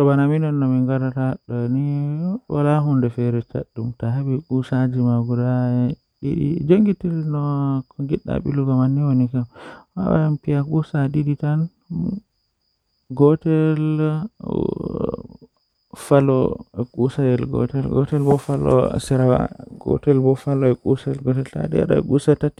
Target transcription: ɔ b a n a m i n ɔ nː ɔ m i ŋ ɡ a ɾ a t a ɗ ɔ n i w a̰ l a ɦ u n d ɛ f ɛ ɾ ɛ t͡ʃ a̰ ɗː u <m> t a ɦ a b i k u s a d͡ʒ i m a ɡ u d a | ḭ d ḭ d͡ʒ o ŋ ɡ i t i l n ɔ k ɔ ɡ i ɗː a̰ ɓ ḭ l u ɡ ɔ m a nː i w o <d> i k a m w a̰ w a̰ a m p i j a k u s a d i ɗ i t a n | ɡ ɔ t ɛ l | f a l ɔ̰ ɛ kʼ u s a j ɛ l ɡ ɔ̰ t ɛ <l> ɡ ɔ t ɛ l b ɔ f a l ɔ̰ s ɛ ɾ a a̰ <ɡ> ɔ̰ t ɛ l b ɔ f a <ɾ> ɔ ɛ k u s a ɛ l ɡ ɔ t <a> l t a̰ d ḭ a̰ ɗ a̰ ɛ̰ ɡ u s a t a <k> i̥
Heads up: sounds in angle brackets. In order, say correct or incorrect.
correct, incorrect, correct, correct, incorrect, incorrect, incorrect

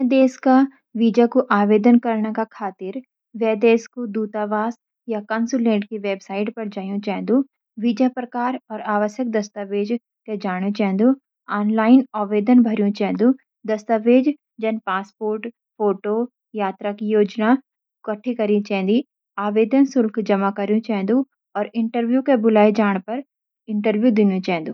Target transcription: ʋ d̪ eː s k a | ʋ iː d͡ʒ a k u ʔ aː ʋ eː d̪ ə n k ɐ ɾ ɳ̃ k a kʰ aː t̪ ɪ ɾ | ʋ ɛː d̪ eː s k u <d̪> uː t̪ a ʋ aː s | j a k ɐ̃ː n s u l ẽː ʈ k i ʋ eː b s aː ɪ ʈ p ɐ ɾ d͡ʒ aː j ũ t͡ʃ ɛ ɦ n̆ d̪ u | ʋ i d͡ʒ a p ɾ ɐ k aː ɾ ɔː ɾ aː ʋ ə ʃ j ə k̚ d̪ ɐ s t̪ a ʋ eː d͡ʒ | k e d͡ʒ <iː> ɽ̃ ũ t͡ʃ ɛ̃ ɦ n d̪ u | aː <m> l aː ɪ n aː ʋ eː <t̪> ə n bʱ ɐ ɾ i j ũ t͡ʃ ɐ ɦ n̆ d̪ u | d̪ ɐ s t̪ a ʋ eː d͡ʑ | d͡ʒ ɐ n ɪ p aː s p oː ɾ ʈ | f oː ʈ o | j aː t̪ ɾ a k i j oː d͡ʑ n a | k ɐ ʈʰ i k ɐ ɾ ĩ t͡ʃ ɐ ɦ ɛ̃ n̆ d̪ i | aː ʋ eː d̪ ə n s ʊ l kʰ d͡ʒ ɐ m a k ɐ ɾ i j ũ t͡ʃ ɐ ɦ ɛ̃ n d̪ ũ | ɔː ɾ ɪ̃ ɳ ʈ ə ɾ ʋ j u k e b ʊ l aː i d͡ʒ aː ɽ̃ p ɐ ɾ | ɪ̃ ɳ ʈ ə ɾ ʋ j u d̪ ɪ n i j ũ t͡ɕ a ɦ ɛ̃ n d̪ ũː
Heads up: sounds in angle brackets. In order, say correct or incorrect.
correct, incorrect, incorrect, incorrect

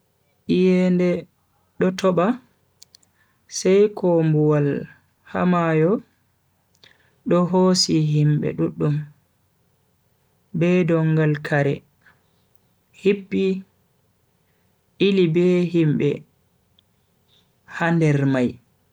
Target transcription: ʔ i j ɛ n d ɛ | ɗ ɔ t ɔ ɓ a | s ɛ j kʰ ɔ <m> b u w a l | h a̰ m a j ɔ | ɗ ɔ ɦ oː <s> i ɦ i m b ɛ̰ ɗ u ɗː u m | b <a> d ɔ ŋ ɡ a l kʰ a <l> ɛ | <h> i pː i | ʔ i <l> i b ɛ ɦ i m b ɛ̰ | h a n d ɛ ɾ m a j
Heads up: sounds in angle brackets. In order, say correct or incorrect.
correct, correct, incorrect, incorrect, correct, correct

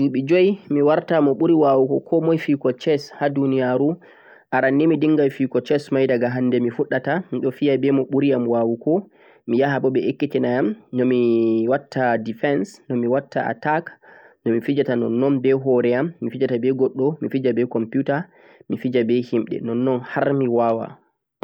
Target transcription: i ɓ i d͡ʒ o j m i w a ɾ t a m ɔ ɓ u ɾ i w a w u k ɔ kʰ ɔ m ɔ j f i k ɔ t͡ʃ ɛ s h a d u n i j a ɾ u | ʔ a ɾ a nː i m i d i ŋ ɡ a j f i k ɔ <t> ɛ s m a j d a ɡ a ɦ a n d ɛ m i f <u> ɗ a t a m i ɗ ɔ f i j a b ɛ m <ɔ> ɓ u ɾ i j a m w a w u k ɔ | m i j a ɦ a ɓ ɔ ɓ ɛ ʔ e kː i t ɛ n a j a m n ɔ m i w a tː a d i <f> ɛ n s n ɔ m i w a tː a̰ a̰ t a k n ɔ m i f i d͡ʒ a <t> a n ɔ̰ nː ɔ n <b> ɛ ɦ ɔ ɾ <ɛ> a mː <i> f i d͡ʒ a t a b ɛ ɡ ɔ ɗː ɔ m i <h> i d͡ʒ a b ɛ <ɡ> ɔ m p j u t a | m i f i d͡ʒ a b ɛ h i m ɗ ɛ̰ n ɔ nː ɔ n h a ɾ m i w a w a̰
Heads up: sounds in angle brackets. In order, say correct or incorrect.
incorrect, correct, correct, correct, correct, correct, correct, correct, incorrect, incorrect

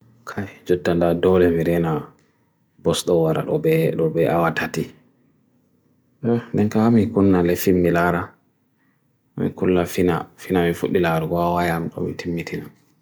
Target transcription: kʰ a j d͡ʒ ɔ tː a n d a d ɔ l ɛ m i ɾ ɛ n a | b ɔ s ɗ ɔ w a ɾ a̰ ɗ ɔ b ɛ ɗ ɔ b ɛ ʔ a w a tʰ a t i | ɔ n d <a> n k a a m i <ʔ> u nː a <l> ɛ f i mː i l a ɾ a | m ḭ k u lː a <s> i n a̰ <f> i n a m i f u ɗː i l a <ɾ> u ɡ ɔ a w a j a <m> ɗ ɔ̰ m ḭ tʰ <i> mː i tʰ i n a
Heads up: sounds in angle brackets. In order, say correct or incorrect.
incorrect, incorrect, correct, incorrect, correct, correct, correct, correct

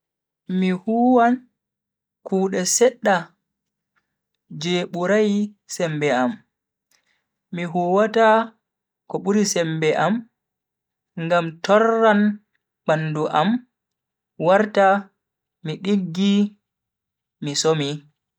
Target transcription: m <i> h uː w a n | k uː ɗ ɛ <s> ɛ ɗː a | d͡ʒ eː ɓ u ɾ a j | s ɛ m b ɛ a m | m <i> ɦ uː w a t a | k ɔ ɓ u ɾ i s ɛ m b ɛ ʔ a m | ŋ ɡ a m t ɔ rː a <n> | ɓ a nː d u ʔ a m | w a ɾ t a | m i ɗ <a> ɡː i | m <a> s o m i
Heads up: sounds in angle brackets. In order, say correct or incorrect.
correct, correct, correct, correct, incorrect, incorrect

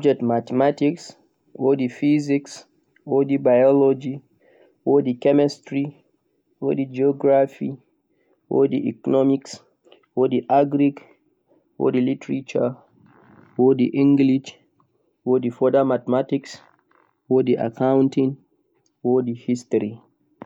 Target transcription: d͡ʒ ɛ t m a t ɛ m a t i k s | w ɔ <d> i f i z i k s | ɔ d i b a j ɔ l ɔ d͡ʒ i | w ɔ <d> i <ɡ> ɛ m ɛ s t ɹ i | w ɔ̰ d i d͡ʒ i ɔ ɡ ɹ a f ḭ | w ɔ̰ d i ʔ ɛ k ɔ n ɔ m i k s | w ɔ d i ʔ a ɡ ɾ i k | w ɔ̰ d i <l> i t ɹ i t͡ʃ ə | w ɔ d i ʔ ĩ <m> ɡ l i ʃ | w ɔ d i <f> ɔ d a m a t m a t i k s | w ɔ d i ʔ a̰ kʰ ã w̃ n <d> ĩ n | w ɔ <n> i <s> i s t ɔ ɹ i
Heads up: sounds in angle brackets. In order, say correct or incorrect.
correct, correct, incorrect, correct, incorrect, correct, incorrect, incorrect, incorrect

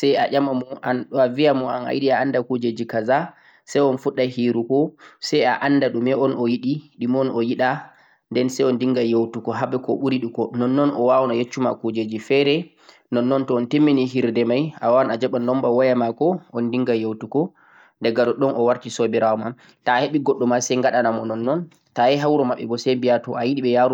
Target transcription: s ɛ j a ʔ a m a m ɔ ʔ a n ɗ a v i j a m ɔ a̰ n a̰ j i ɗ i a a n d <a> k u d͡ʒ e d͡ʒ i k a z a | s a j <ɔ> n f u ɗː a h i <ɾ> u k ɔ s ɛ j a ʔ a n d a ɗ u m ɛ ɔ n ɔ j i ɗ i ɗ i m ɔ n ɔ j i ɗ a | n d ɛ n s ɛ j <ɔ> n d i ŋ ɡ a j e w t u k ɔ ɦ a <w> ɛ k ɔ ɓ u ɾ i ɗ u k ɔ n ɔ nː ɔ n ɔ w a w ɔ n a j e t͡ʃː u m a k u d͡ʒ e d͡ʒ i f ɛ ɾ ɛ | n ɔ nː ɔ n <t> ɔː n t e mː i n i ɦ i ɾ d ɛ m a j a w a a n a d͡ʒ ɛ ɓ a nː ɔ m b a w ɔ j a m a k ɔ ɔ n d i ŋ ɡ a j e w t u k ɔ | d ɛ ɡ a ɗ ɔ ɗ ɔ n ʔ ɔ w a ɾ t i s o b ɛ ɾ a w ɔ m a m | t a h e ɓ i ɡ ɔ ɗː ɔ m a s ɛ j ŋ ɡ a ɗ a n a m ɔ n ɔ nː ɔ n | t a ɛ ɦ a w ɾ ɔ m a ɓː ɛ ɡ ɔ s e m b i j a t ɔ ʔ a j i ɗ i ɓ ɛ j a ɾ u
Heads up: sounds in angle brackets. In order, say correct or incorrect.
correct, correct, correct, correct, incorrect, correct

